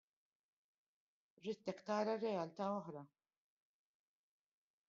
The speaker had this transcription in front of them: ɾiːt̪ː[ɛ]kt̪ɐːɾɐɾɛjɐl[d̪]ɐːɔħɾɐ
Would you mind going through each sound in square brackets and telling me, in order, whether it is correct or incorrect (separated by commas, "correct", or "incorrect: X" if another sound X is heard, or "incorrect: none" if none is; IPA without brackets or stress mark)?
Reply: correct, incorrect: t̪